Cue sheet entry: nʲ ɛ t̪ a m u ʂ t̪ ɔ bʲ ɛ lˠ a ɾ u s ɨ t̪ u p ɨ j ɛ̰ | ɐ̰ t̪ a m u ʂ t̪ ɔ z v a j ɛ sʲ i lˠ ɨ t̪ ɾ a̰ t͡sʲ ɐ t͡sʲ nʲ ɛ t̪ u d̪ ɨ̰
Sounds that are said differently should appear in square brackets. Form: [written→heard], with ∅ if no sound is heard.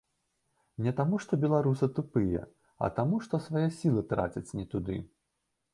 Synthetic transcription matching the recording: nʲ ɛ t̪ a m u ʂ t̪ ɔ bʲ ɛ lˠ a ɾ u s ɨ t̪ u p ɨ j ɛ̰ | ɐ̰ t̪ a m u ʂ t̪ ɔ [z→s] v a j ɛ sʲ i lˠ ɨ t̪ ɾ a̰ t͡sʲ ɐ t͡sʲ nʲ ɛ t̪ u d̪ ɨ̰